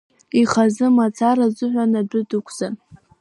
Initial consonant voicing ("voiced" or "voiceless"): voiceless